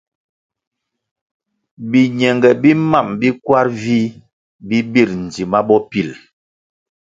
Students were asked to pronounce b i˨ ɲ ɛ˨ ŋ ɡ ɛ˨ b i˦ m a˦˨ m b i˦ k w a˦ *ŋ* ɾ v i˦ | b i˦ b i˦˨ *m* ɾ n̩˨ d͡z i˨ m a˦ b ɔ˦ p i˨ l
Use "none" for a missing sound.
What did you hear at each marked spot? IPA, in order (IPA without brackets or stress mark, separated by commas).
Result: none, none